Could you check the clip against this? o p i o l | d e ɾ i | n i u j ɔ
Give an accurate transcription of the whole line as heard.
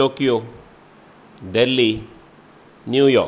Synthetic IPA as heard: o k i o | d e l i | n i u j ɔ